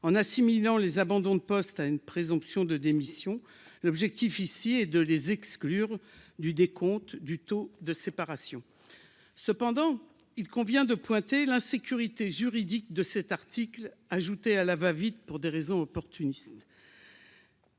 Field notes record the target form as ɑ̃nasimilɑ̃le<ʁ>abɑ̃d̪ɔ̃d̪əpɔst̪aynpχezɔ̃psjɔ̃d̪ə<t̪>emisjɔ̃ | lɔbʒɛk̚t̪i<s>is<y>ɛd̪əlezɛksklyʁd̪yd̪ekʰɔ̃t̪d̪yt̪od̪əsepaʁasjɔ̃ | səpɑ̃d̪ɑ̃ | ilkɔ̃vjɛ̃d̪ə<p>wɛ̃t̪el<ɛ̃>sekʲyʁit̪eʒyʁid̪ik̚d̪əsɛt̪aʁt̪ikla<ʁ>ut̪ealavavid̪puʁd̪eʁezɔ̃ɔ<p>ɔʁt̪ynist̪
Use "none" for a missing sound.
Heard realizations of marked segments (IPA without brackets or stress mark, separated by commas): z, d̪, f, i, p, ɛ̃, ʒ, p